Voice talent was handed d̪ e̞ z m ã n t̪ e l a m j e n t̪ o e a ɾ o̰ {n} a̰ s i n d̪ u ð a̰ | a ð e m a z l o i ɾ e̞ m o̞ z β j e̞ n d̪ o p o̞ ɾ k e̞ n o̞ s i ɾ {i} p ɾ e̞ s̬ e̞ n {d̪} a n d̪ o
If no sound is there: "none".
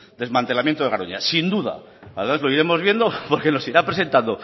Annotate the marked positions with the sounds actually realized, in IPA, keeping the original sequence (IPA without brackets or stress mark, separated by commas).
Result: ɲ, a, t̪